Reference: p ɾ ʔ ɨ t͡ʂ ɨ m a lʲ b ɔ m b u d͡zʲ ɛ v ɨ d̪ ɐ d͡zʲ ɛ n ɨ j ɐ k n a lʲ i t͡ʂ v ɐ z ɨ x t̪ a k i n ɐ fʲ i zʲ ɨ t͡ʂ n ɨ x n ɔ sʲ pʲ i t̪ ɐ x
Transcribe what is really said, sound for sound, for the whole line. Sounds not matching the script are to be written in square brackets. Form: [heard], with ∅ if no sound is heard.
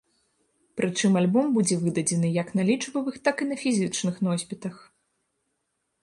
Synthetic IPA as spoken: p ɾ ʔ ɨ t͡ʂ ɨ m a lʲ b ɔ m b u d͡zʲ ɛ v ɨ d̪ ɐ d͡zʲ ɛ n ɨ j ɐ k n a lʲ i t͡ʂ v ɐ [v] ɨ x t̪ a k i n ɐ fʲ i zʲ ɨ t͡ʂ n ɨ x n ɔ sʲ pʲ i t̪ ɐ x